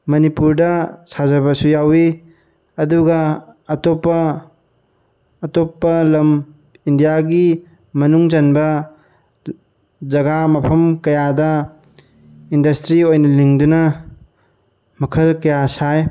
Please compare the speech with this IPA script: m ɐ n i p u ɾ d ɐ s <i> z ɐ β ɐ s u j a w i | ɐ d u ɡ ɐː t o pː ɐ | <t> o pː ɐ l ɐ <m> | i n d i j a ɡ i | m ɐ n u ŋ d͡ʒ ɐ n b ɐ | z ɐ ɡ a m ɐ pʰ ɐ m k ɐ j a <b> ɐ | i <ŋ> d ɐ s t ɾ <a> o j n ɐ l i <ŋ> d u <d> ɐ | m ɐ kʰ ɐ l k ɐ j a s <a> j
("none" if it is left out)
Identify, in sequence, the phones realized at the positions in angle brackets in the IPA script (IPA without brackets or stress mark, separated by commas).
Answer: a, t, m, d, n, i, ŋ, n, a